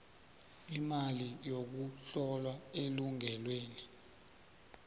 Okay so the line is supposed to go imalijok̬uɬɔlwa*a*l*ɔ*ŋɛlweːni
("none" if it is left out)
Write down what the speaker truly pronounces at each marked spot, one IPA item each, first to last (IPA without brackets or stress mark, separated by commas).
e, u